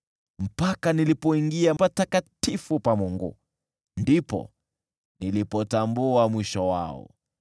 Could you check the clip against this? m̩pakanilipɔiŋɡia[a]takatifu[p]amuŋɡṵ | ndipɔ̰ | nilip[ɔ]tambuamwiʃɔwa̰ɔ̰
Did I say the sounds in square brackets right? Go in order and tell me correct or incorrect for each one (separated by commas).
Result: correct, correct, correct